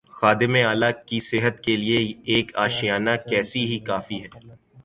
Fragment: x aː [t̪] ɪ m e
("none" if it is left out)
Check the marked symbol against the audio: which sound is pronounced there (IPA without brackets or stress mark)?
d̪